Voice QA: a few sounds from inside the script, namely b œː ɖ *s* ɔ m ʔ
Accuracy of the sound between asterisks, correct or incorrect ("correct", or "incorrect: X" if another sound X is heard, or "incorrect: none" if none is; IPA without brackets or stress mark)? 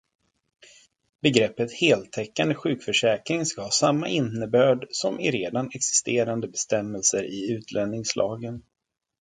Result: correct